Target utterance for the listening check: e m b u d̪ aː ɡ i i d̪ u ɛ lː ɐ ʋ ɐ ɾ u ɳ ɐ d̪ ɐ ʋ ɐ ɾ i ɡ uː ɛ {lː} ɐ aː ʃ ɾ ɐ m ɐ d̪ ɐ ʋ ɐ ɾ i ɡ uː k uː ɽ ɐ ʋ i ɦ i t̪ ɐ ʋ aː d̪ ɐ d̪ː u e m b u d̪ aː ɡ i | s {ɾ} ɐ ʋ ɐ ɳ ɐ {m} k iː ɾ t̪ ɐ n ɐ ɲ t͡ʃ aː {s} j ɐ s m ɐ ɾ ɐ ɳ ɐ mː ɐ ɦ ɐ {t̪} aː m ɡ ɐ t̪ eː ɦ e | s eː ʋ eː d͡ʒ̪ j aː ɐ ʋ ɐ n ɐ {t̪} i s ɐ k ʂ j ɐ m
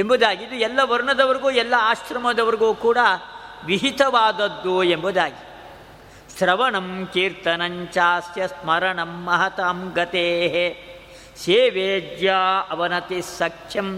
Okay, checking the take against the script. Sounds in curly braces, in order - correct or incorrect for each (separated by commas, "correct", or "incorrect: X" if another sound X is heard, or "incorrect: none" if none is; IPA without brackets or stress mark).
correct, correct, correct, correct, correct, correct